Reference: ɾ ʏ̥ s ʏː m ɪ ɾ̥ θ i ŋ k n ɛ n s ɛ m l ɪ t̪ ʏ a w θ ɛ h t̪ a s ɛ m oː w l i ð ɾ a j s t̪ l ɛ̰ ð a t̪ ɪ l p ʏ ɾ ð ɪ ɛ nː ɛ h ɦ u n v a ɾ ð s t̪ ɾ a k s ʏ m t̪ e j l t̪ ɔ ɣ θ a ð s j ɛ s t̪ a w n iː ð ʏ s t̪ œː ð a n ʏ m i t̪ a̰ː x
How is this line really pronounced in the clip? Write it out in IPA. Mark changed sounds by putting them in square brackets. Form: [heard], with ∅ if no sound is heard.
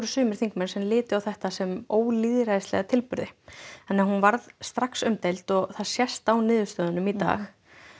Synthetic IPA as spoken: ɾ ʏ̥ s ʏː m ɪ ɾ̥ θ i ŋ k [m] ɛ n s ɛ m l [ɪː] t̪ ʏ a w θ ɛ h t̪ a s ɛ m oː w l i ð ɾ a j s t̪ l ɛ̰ [ɣ] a [t̪ʰ] ɪ l p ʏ ɾ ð ɪ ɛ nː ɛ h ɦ u n v a ɾ ð s t̪ ɾ a k s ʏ m t̪ e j l t̪ ɔ ɣ θ a ð s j ɛ s t̪ a w n [ɪː] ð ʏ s t̪ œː ð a n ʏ m i t̪ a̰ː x